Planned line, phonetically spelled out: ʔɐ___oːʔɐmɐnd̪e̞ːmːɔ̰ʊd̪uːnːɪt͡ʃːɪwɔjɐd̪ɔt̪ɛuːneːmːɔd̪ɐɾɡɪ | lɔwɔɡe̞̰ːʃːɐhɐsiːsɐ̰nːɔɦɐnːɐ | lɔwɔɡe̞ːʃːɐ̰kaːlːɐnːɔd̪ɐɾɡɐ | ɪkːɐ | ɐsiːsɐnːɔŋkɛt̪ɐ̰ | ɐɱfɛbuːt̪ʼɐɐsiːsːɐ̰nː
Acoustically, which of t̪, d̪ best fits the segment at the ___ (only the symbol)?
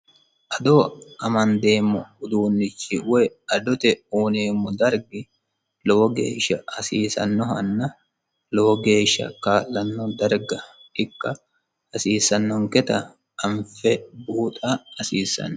d̪